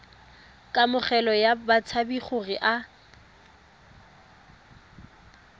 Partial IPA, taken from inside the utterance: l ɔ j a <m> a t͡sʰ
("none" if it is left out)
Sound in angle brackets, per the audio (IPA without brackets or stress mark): b